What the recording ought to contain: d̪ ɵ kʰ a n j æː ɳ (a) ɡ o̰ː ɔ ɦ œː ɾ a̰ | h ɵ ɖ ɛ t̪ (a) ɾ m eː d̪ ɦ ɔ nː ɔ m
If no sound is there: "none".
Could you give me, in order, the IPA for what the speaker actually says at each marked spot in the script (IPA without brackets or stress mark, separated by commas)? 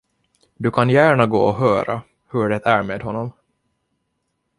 a, æ